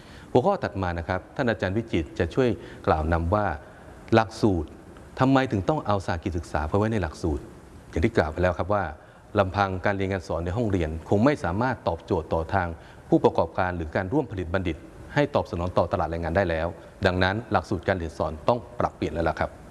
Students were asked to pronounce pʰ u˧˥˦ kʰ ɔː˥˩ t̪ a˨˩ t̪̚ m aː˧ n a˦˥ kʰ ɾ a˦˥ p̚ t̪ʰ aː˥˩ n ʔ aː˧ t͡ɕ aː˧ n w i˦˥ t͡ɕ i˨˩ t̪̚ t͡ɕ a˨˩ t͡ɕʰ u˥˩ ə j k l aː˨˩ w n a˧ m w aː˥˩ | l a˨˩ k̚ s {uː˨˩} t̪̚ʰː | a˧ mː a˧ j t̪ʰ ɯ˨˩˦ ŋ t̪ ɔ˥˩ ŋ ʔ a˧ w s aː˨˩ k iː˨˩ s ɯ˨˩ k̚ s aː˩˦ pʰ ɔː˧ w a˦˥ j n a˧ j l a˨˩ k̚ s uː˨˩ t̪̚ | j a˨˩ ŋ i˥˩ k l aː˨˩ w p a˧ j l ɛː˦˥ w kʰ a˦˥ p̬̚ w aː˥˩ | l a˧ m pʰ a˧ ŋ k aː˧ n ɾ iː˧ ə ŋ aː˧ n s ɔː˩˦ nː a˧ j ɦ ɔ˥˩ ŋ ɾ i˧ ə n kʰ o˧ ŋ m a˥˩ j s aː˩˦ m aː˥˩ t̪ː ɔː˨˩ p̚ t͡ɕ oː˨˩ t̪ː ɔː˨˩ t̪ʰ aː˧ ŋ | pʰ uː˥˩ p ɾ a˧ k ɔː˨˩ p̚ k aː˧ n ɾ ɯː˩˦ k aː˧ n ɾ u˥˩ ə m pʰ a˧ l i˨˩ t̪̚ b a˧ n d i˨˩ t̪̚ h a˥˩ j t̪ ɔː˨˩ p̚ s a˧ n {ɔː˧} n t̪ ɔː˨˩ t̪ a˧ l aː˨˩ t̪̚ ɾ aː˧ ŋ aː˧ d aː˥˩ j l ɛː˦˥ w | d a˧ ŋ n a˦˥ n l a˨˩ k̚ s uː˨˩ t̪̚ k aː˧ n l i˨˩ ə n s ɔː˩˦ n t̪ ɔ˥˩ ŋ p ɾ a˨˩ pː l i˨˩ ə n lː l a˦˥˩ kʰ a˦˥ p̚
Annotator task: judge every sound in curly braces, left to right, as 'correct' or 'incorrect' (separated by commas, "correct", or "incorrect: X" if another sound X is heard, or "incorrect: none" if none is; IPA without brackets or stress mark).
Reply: correct, incorrect: ɔː˩˦